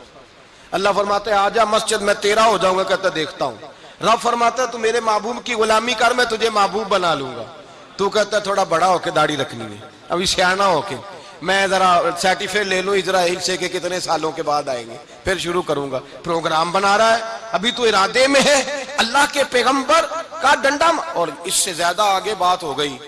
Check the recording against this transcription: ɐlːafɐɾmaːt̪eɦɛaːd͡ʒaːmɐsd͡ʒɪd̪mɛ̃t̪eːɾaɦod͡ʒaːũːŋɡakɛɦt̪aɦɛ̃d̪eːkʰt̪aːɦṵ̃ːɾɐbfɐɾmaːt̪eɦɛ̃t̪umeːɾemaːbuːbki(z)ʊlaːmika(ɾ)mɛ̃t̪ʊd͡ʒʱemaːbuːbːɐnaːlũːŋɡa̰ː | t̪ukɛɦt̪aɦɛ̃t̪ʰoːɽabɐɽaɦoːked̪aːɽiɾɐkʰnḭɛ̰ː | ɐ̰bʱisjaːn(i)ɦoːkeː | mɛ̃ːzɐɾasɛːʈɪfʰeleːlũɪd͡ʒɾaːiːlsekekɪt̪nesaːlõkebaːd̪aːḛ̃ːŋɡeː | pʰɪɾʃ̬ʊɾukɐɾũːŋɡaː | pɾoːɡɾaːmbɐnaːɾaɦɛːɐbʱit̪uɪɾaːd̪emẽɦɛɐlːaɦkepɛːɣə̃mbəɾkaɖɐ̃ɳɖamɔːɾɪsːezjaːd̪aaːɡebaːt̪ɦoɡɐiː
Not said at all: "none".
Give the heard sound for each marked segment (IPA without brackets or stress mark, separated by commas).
ɣ, ɾ, a